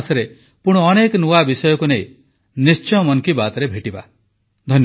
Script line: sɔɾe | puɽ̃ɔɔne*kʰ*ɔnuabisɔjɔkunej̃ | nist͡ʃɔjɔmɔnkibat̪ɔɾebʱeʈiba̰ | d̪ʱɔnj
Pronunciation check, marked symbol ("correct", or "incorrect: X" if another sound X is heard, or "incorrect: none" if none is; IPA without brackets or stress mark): incorrect: k